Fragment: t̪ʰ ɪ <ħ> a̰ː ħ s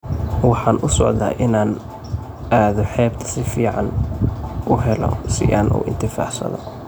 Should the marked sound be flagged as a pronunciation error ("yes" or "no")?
yes